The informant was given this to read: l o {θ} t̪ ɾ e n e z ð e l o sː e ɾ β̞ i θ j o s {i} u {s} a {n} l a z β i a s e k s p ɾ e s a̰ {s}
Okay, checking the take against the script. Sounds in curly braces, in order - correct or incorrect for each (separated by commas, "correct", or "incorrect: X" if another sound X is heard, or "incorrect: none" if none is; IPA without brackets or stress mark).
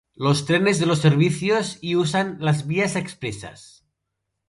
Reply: incorrect: s, correct, correct, correct, correct